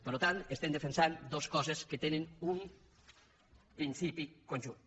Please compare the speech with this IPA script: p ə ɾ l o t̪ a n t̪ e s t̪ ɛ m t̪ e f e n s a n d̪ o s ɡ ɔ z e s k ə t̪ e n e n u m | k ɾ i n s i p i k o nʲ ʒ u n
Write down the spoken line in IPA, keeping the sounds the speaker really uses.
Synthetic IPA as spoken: p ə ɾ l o t̪ a n t̪ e s t̪ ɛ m d̪ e f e n s a n d̪ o s k ɔ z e s k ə t̪ e n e n u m | p ɾ i n s i p i k o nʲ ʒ u n